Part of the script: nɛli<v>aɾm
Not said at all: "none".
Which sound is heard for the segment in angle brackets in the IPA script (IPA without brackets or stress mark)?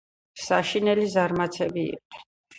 z